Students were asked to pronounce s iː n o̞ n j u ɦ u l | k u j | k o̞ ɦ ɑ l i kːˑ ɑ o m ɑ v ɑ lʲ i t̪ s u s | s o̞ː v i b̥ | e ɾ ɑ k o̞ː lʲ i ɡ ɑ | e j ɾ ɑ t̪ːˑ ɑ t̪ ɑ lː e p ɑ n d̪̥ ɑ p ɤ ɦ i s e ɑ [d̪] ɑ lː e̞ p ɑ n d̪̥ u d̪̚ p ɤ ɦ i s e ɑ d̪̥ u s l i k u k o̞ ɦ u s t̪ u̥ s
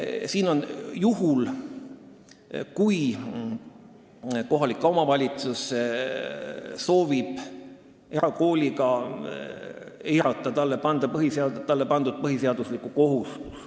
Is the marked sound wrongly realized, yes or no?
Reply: yes